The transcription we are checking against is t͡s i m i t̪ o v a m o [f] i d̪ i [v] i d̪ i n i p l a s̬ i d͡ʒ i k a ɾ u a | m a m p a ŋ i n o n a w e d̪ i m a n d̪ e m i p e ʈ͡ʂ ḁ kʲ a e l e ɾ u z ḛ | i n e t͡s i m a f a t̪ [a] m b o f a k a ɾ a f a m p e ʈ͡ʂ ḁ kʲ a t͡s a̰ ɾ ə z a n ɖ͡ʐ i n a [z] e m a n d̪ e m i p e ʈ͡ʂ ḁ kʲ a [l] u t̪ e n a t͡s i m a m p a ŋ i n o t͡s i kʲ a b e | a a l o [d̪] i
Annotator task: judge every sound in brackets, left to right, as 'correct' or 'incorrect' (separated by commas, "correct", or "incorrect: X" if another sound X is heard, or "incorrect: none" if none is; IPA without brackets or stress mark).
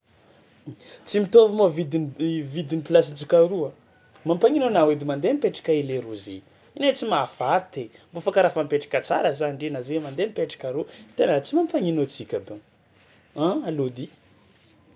incorrect: v, correct, incorrect: e, correct, incorrect: ɾ, correct